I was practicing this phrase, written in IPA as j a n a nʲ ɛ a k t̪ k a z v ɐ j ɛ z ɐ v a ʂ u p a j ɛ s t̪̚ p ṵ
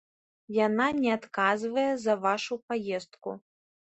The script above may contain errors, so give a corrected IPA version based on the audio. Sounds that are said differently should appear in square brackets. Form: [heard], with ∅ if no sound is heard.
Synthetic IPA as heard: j a n a nʲ ɛ a [∅] t̪ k a z v ɐ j ɛ z ɐ v a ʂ u p a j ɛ s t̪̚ [k] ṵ